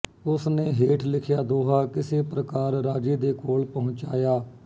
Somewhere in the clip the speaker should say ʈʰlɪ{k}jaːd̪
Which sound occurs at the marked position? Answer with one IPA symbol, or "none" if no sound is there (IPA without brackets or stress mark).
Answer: kʰ